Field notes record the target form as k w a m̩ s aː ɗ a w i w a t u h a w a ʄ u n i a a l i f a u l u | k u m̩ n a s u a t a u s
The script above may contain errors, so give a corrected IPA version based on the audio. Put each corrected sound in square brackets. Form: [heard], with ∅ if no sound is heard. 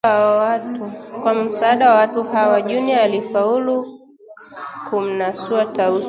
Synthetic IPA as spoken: k w a m̩ s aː ɗ a w [a] w a t u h a w a ʄ u n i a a l i f a u l u | k u m̩ n a s u a t a u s